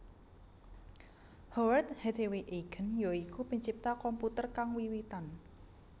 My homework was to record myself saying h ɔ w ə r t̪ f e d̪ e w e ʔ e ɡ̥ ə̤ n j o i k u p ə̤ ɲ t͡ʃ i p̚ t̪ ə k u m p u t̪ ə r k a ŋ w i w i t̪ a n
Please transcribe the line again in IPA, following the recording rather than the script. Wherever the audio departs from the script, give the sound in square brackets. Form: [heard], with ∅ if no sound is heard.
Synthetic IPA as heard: h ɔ w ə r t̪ [h] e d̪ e w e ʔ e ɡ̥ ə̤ n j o i k u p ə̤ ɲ t͡ʃ i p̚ t̪ [a] k [ɔ] m p u t̪ ə r k a ŋ w i w i t̪ a n